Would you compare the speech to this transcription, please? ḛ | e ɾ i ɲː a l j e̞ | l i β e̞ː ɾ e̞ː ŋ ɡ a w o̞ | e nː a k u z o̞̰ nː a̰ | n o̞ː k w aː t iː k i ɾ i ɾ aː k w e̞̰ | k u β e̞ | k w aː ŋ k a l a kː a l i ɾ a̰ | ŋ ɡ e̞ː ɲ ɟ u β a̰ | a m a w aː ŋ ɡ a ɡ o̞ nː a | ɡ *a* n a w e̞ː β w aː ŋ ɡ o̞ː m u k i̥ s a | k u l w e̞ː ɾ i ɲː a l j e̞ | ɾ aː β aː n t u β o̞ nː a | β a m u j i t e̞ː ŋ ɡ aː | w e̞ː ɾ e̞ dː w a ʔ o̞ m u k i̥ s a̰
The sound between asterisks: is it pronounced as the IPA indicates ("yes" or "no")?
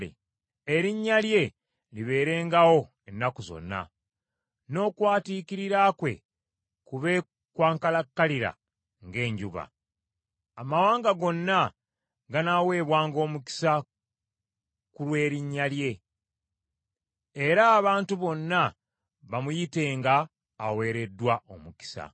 yes